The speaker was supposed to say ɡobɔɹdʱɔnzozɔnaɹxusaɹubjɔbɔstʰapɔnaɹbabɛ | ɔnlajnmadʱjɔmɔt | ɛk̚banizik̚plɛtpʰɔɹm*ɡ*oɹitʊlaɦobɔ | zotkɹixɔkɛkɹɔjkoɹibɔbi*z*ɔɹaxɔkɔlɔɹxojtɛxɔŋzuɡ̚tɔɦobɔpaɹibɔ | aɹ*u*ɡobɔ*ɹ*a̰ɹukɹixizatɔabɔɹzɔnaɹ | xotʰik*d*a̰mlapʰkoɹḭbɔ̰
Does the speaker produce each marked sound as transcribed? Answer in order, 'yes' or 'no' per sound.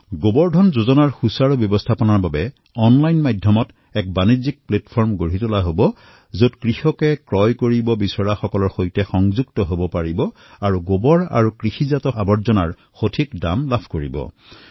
yes, no, yes, yes, yes

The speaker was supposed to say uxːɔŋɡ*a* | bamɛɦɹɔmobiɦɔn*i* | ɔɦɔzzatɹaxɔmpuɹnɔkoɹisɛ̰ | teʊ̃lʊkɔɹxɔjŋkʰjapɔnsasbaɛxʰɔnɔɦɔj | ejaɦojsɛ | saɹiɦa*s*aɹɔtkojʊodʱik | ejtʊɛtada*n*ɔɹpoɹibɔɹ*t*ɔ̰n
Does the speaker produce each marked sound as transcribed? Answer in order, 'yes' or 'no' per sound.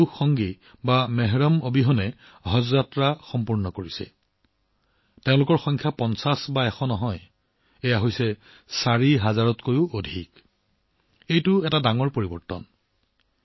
no, no, no, no, yes

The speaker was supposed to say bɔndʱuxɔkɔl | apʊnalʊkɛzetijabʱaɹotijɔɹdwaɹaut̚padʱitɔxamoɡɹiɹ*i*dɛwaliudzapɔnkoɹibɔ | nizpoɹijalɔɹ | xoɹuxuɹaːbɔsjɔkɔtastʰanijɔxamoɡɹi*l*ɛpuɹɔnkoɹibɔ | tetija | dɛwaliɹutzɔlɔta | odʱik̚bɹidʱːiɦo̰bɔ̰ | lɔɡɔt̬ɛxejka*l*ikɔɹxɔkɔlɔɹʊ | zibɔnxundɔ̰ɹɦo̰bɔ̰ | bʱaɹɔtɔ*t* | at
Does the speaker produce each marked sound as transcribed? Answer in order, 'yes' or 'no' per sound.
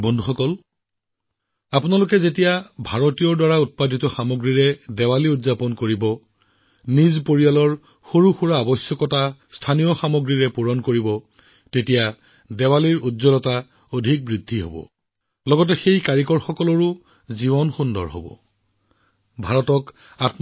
no, no, no, no

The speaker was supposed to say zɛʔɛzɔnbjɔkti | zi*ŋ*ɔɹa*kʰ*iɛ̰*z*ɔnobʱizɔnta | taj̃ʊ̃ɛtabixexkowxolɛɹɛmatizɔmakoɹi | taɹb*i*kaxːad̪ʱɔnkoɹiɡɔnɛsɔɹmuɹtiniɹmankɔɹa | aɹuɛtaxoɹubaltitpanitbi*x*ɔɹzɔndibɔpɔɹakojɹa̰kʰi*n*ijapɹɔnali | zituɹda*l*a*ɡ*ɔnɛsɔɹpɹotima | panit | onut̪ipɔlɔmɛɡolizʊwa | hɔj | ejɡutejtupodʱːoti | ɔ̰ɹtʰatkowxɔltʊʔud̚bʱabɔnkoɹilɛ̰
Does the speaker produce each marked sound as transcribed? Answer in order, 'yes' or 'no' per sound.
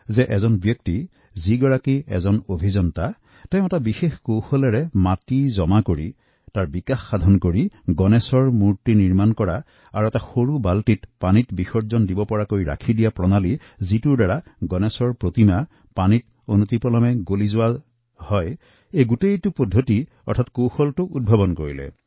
no, no, yes, yes, yes, no, no, yes

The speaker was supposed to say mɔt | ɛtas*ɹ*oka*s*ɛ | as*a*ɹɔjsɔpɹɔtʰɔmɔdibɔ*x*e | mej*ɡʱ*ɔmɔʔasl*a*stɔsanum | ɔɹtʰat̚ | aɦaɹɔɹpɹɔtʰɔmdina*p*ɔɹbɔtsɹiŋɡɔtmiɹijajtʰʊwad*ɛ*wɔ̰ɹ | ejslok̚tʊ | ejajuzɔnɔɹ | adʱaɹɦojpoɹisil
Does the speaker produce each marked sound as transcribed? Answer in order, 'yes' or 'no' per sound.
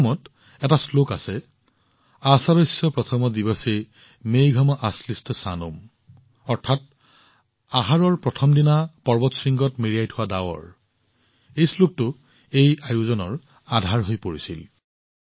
no, yes, yes, no, yes, no, yes, no

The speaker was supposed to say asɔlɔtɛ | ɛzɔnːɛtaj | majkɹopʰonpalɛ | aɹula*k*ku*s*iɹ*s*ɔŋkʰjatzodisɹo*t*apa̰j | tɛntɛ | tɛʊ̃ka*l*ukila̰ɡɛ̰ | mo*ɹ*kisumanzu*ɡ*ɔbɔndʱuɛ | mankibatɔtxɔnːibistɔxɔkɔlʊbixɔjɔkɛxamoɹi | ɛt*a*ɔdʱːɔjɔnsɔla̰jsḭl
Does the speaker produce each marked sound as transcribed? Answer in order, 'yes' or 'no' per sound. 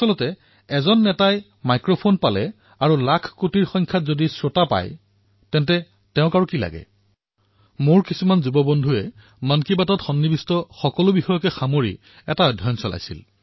no, no, no, yes, no, yes, no, yes

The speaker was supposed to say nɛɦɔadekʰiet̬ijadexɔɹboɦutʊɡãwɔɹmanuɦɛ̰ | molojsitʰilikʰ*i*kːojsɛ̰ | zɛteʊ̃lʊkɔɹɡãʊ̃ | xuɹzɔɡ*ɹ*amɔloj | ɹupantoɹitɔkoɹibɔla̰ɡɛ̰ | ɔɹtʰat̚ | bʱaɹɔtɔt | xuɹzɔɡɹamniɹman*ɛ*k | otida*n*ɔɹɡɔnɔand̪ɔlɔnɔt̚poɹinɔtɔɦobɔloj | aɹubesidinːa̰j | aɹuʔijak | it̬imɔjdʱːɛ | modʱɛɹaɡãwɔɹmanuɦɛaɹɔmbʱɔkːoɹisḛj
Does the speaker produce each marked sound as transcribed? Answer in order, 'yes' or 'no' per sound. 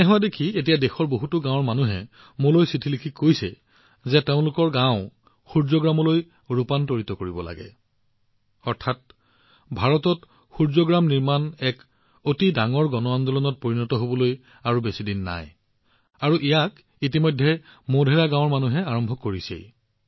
yes, yes, yes, no

